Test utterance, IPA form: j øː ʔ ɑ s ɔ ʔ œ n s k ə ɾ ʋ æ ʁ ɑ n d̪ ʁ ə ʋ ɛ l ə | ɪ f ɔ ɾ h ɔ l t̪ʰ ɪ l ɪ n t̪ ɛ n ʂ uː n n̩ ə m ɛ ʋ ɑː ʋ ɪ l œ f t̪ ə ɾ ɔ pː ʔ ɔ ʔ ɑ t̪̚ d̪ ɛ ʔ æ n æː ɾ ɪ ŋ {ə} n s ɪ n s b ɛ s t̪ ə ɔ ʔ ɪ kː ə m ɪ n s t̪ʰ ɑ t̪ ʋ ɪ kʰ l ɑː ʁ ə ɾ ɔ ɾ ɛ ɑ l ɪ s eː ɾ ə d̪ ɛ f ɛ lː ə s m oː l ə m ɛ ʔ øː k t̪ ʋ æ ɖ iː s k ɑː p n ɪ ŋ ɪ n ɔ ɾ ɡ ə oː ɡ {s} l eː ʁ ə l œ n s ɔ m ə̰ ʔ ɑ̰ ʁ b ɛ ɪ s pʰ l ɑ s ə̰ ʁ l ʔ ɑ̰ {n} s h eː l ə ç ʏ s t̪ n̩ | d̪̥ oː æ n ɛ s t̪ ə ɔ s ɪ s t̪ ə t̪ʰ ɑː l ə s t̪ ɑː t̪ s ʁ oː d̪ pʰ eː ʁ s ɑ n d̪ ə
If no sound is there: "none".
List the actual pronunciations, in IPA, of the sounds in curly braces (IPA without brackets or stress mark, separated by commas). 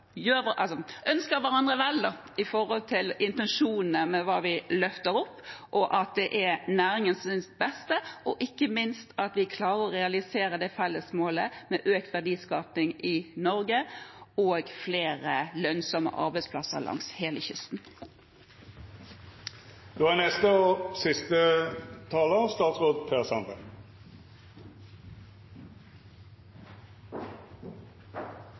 ə, f, ŋ